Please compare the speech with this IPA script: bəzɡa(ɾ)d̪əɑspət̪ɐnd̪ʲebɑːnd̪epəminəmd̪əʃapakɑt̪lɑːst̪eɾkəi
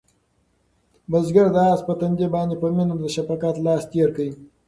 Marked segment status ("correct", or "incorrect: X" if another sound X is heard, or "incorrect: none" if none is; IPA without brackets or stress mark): correct